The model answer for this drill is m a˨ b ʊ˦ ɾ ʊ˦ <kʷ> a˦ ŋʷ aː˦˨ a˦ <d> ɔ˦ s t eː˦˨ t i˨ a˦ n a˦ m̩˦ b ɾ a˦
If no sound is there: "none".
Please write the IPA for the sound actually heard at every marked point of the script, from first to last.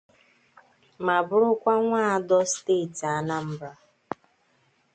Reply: kʷ, d

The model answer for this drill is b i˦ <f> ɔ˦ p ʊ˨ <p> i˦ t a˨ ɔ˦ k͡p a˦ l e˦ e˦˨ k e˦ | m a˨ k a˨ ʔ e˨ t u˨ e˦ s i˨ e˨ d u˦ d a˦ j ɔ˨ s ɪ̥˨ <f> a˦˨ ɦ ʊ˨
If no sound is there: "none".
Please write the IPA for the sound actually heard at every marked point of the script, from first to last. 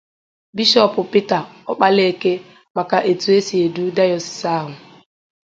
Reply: ʃ, p, s

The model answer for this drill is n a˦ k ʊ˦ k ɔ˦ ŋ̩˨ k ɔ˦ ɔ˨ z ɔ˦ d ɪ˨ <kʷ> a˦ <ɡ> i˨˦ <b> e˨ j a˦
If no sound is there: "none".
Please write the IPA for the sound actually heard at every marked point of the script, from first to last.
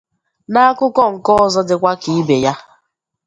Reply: kʷ, k, b

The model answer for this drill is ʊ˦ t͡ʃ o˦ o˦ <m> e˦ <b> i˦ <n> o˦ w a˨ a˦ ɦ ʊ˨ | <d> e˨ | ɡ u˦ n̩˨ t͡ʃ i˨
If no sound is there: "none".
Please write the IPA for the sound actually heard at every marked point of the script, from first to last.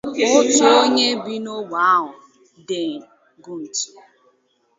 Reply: ɲ, b, n, d

